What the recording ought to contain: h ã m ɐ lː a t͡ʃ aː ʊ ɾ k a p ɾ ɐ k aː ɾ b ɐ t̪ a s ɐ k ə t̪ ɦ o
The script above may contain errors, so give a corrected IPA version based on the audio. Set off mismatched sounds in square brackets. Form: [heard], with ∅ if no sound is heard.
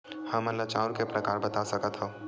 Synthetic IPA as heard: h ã m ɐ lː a t͡ʃ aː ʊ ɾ k [e] p ɾ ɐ k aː ɾ b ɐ t̪ a s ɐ k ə t̪ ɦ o

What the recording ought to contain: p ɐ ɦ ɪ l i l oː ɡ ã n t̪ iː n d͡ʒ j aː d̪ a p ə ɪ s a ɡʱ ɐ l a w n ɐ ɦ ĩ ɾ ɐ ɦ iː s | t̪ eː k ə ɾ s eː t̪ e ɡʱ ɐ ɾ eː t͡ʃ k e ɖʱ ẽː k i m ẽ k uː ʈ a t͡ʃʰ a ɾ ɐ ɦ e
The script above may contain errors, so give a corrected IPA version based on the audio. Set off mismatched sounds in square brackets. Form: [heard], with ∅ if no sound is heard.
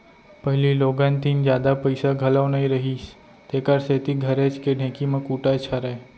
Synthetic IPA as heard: p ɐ ɦ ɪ l i l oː ɡ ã n t̪ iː n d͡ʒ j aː d̪ a p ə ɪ s a ɡʱ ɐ l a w n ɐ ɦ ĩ ɾ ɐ ɦ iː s | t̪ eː k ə ɾ s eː t̪ [i] ɡʱ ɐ ɾ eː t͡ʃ k e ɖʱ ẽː k i m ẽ k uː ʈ a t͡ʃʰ a ɾ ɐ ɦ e

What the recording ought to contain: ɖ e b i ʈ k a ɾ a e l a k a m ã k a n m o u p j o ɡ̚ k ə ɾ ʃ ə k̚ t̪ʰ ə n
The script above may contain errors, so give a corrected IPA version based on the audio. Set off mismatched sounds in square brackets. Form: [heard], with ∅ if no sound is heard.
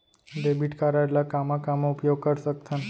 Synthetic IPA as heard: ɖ e b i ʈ k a ɾ a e l a k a m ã k a [∅] m o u p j o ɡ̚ k ə ɾ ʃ ə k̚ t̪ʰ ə n

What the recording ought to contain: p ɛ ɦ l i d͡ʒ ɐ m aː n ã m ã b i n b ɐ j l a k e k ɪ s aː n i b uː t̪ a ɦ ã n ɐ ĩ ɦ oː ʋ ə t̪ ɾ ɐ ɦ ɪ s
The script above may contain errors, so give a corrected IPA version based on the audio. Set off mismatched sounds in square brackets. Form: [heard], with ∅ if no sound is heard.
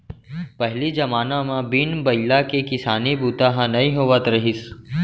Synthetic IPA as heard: p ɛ ɦ l i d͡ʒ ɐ m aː n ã m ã b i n b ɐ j l a k e k ɪ s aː n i b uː t̪ a ɦ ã n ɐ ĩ ɦ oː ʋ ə t̪ ɾ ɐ ɦ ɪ s

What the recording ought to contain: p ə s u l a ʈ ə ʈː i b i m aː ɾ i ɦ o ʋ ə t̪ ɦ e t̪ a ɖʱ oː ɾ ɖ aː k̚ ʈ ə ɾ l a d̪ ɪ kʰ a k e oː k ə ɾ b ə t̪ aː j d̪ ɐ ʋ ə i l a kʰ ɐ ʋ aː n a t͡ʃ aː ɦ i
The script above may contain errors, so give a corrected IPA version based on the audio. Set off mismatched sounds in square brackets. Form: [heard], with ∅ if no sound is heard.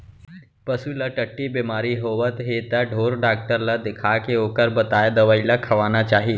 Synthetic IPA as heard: p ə s u l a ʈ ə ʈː i b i m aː ɾ i ɦ o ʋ ə t̪ ɦ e t̪ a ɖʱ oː ɾ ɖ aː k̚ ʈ ə ɾ l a d̪ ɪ kʰ a k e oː k ə ɾ b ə t̪ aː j d̪ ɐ ʋ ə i l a kʰ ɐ ʋ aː n a t͡ʃ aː ɦ i

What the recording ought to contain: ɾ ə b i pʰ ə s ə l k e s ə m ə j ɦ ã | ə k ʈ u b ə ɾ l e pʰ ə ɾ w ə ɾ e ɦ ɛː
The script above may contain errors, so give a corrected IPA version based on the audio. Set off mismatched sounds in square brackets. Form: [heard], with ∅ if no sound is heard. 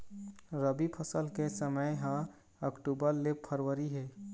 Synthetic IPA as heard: ɾ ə b i pʰ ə s ə l k e s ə m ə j ɦ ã | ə k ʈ u b ə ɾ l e pʰ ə ɾ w ə ɾ [i] ɦ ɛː

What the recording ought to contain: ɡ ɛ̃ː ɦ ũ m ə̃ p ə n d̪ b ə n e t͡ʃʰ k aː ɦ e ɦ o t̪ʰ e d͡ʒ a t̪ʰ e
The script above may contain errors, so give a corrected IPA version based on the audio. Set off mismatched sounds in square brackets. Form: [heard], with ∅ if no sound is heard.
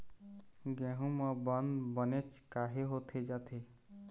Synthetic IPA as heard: ɡ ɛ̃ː ɦ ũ m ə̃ [b] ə n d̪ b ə n e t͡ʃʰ k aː ɦ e ɦ o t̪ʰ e d͡ʒ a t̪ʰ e

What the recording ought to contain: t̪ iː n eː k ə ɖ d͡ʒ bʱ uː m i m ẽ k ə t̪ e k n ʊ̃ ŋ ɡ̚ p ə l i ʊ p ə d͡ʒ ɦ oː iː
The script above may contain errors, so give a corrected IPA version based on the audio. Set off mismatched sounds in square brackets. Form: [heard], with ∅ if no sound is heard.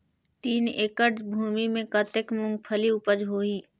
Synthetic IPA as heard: t̪ iː n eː k ə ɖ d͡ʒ bʱ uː m i m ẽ k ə t̪ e k [m] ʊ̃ ŋ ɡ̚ [pʰ] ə l i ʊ p ə d͡ʒ ɦ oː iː

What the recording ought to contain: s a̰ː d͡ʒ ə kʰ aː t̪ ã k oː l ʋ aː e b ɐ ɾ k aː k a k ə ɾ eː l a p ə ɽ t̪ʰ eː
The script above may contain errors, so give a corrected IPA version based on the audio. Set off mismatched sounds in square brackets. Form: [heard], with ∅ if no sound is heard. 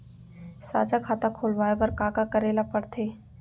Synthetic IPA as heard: s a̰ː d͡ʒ [a] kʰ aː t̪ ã [kʰ] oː l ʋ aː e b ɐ ɾ k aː k a k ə ɾ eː l a p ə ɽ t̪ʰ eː

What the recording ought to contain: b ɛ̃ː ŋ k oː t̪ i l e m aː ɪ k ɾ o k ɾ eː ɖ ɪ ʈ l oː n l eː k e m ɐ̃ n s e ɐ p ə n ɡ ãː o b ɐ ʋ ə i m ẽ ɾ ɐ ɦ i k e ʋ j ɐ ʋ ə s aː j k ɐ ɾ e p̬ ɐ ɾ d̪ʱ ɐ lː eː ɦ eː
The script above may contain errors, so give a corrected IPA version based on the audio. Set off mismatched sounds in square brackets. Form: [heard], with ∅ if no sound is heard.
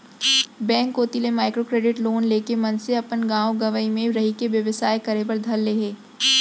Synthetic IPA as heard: b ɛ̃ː ŋ k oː t̪ i l e m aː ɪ k ɾ o k ɾ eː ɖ ɪ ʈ l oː n l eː k e m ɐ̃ n s e ɐ p ə n ɡ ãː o [ɡ] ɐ ʋ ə i m ẽ ɾ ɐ ɦ i k e ʋ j ɐ ʋ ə s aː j k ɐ ɾ e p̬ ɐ ɾ d̪ʱ ɐ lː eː ɦ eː

